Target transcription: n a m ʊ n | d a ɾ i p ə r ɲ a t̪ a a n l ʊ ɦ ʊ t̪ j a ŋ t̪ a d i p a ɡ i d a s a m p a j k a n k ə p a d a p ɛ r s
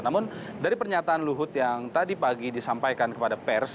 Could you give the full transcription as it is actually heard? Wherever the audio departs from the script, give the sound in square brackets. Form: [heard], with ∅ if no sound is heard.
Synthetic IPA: n a m ʊ n | d a ɾ i p ə r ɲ a t̪ a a n l [u] ɦ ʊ t̪ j a ŋ t̪ a d i p a ɡ i d [i] s a m p a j k a n k ə p a d a p ɛ r s